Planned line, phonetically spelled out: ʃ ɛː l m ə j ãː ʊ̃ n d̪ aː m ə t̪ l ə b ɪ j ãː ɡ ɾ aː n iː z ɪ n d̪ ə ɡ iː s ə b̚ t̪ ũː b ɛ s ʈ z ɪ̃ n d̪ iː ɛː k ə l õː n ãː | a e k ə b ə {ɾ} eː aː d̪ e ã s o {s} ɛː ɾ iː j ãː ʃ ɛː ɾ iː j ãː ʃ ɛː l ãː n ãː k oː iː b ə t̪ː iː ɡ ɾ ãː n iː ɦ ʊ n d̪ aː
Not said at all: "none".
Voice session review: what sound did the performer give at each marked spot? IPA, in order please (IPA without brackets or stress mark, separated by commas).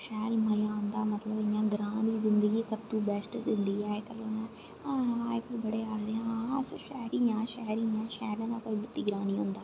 ɽ, ʃ